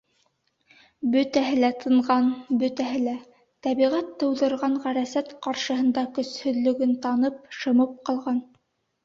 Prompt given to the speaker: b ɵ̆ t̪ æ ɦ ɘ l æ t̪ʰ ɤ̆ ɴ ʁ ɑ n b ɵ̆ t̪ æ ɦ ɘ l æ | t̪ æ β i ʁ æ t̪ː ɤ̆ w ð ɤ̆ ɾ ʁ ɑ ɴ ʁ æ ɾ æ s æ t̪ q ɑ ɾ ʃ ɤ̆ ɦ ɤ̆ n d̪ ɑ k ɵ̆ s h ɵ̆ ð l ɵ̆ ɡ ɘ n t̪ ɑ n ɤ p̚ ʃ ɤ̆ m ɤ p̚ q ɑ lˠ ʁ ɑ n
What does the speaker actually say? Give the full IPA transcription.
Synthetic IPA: b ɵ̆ t̪ æ ɦ ɘ l æ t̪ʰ ɤ̆ ɴ ʁ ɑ n b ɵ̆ t̪ æ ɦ ɘ l æ | t̪ æ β i ʁ æ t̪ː ɤ̆ w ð ɤ̆ ɾ ʁ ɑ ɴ ʁ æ ɾ æ s æ t̪ q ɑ ɾ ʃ ɤ̆ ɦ ɤ̆ n d̪ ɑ k ɵ̆ s h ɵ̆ ð l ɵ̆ ɡ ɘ n t̪ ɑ n ɤ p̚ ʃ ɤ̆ m ɤ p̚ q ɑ lˠ ʁ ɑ n